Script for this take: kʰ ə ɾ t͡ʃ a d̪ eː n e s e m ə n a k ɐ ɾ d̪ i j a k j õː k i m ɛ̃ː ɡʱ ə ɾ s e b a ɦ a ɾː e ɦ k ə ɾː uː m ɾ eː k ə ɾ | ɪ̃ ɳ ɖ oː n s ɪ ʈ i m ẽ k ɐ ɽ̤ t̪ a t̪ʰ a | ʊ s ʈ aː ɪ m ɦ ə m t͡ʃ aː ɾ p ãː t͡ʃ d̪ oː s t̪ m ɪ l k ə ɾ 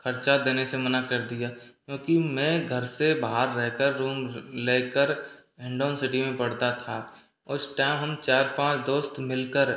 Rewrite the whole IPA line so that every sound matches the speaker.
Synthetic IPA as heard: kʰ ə ɾ t͡ʃ a d̪ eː n e s e m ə n a k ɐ ɾ d̪ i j a k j õː k i m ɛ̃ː ɡʱ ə ɾ s e b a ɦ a ɾː ɛ ɦ k ə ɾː uː m l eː k ə ɾ | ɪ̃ ɳ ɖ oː n s ɪ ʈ i m ẽ p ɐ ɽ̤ t̪ a t̪ʰ a | ʊ s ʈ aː ɪ m ɦ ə m t͡ʃ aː ɾ p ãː t͡ʃ d̪ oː s t̪ m ɪ l k ə ɾ

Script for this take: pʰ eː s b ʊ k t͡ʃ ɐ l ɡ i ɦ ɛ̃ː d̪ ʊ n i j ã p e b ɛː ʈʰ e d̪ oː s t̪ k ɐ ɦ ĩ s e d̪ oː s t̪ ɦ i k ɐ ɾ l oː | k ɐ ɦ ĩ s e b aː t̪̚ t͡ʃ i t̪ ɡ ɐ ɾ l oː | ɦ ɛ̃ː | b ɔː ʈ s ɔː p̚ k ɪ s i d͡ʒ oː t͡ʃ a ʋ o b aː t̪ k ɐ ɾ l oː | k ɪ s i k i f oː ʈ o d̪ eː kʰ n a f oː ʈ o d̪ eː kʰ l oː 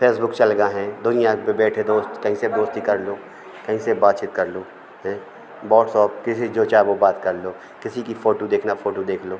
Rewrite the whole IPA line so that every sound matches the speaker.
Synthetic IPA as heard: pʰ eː s b ʊ k t͡ʃ ɐ l ɡ a ɦ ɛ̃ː d̪ ʊ n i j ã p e b ɛː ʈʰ e d̪ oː s t̪ k ɐ ɦ ĩ s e d̪ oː s t̪ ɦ i k ɐ ɾ l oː | k ɐ ɦ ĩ s e b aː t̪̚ t͡ʃ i t̪ k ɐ ɾ l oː | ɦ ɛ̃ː | b ɔː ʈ s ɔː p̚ k ɪ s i d͡ʒ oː t͡ʃ a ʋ o b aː t̪ k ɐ ɾ l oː | k ɪ s i k i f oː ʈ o d̪ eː kʰ n a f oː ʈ o d̪ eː kʰ l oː

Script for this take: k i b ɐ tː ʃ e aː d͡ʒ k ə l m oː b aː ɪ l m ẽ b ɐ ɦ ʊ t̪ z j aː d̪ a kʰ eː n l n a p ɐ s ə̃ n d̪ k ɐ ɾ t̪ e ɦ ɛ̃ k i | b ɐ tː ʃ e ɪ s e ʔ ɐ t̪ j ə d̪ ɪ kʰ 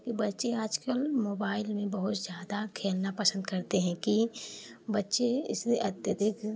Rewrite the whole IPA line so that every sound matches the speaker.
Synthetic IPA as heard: k i b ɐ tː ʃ e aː d͡ʒ k ə l m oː b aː ɪ l m ẽ b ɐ ɦ ʊ t̪ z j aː d̪ a kʰ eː l n a p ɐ s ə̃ n d̪ k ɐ ɾ t̪ e ɦ ɛ̃ k i | b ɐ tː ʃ e ɪ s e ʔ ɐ t̪ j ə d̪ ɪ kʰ

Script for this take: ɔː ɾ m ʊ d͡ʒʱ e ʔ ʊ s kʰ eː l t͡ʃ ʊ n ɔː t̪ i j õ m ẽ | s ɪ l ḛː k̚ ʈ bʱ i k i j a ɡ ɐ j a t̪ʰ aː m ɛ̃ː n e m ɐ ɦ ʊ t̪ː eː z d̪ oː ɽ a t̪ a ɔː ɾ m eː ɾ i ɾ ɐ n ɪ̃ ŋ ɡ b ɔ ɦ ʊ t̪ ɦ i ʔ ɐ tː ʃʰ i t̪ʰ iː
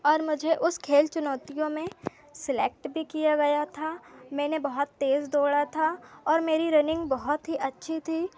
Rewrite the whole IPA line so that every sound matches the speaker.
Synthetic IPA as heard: ɔː ɾ m ʊ d͡ʒʱ e ʔ ʊ s kʰ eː l t͡ʃ ʊ n ɔː t̪ i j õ m ẽ | s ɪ l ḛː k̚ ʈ bʱ i k i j a ɡ ɐ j a t̪ʰ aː m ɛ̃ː n e b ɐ ɦ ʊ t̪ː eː z d̪ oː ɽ a t̪ʰ a ɔː ɾ m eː ɾ i ɾ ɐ n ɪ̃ ŋ ɡ b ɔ ɦ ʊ t̪ ɦ i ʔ ɐ tː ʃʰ i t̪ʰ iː

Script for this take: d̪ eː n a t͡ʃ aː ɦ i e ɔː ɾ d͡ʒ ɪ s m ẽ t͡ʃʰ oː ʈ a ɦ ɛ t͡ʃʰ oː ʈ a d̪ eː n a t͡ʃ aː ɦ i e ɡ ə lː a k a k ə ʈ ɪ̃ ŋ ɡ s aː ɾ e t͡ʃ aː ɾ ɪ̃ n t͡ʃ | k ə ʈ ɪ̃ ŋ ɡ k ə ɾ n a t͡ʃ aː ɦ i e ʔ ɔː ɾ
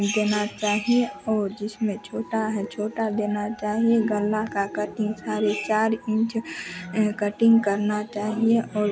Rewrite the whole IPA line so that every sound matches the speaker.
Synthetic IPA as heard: d̪ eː n a t͡ʃ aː ɦ i e ɔː ɾ d͡ʒ ɪ s m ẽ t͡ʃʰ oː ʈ a ɦ ɛ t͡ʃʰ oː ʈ a d̪ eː n a t͡ʃ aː ɦ i e ɡ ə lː a k a k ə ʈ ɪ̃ ŋ ɡ s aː ɾ e t͡ʃ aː ɾ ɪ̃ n t͡ʃ | k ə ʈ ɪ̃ ŋ ɡ k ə ɾ n a t͡ʃ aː ɦ i e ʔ ɔː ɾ

